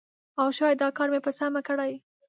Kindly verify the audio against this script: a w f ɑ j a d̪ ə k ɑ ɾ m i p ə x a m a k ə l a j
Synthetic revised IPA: a w ʃ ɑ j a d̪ ɑ k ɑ ɾ m e p ə s a m a k ə ɽ a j